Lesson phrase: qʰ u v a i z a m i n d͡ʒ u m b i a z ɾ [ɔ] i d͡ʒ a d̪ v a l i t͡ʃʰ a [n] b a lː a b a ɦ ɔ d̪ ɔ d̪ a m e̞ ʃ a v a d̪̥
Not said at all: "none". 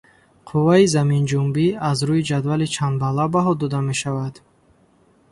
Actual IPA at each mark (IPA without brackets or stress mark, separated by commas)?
u, n